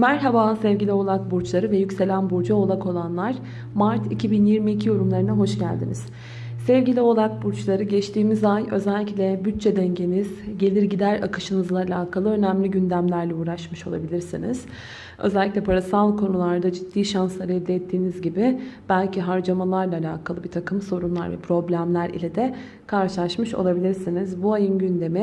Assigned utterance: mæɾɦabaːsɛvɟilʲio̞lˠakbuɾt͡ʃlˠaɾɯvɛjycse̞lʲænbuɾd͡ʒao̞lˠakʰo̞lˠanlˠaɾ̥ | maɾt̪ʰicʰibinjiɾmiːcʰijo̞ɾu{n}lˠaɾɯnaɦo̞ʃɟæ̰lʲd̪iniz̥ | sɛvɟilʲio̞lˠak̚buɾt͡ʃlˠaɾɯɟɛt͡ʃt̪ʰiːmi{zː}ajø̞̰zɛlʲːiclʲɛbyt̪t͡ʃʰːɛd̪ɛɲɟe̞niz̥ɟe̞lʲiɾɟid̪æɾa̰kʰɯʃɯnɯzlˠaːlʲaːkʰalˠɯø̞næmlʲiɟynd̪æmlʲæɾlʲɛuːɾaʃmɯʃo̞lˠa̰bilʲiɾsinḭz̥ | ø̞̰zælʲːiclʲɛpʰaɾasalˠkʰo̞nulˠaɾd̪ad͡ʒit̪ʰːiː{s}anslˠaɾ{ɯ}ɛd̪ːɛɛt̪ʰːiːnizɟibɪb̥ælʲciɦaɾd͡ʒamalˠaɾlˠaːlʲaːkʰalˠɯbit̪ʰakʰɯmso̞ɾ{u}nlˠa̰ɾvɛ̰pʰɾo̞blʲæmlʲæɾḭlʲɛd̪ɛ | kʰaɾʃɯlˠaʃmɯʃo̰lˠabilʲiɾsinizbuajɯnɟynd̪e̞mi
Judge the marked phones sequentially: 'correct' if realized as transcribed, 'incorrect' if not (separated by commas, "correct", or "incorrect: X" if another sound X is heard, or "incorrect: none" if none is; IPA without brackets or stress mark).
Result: incorrect: m, incorrect: z, incorrect: ʃ, correct, correct